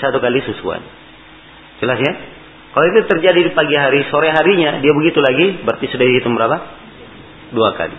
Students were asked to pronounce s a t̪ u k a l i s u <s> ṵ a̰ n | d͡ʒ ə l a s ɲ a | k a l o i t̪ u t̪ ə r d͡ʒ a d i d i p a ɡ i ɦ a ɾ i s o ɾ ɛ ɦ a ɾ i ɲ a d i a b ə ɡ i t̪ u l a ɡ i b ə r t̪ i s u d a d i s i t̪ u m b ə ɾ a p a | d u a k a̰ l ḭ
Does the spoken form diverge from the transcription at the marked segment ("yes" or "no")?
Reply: no